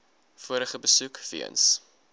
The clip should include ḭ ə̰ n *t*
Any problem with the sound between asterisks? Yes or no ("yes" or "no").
yes